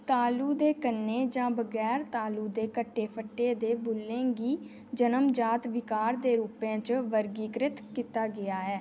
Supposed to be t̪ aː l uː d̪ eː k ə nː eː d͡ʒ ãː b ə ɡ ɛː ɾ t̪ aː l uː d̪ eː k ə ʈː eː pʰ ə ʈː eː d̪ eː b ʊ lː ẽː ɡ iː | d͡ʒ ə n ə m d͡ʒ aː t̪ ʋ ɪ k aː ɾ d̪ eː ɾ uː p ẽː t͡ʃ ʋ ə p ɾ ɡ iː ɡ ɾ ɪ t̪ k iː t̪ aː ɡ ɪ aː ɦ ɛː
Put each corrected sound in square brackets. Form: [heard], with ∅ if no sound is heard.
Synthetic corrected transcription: t̪ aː l uː d̪ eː k ə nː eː d͡ʒ ãː b ə ɡ ɛː ɾ t̪ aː l uː d̪ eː k ə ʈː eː pʰ ə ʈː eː d̪ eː b ʊ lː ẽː ɡ iː | d͡ʒ ə n ə m d͡ʒ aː t̪ ʋ ɪ k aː ɾ d̪ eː ɾ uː p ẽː t͡ʃ ʋ ə [∅] ɾ ɡ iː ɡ ɾ ɪ t̪ k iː t̪ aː ɡ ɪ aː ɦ ɛː